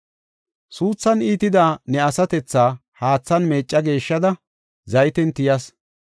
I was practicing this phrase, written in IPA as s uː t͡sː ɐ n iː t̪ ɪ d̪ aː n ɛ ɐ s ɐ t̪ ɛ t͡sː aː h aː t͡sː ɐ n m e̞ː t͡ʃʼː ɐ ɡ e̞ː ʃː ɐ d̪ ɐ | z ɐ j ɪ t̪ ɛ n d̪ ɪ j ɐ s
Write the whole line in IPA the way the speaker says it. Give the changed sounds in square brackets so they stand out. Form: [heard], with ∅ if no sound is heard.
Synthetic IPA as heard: s uː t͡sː ɐ n iː t̪ ɪ d̪ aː n ɛ ɐ s ɐ t̪ ɛ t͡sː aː h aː t͡sː ɐ n m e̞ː t͡ʃʼː ɐ ɡ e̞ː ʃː ɐ d̪ ɐ | z ɐ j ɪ t̪ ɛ n [t̪] ɪ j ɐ s